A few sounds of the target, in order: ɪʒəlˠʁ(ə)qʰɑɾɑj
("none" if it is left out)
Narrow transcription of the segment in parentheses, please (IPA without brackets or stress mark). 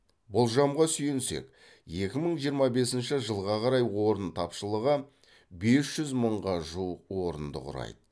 ɑ